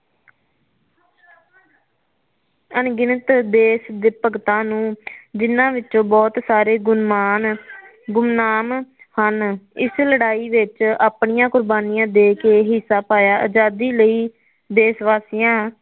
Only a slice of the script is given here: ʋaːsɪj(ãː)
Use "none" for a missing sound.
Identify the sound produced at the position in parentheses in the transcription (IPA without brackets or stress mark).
ãː